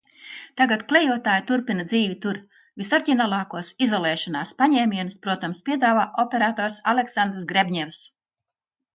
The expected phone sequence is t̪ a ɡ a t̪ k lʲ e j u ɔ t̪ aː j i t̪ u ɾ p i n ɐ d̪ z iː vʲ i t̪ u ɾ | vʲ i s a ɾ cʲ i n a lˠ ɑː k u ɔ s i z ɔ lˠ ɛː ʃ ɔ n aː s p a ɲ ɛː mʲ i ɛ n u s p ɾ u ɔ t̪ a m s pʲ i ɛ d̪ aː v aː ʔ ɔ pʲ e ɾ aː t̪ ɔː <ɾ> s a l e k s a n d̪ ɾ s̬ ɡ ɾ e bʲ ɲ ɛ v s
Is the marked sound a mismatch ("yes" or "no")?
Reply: no